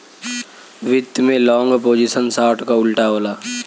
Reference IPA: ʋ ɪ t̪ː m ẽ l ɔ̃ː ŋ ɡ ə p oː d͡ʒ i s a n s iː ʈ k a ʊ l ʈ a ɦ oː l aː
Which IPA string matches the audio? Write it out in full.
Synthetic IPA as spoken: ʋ ɪ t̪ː m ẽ l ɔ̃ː ŋ ɡ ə p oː d͡ʒ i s ə n s aː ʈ k a ʊ l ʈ a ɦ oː l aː